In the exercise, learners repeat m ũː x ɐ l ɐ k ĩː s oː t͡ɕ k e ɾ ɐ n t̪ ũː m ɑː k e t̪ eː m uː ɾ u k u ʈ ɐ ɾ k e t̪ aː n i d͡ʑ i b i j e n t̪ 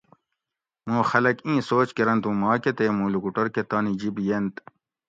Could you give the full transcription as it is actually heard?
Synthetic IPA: m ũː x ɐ l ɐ k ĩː s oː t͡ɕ k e ɾ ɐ n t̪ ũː m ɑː k e t̪ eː m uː l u k u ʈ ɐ ɾ k e t̪ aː n i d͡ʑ i b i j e n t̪